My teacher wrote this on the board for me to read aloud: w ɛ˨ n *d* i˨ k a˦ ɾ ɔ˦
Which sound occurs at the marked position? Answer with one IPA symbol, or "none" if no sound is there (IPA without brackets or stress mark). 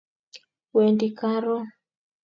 d